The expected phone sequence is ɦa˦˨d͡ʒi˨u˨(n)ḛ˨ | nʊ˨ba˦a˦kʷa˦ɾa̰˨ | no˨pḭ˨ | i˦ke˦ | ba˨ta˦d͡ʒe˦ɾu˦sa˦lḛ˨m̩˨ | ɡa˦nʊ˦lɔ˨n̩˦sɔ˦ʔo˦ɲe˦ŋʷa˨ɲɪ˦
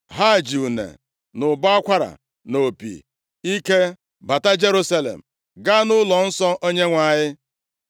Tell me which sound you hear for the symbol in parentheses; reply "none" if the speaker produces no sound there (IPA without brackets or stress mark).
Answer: n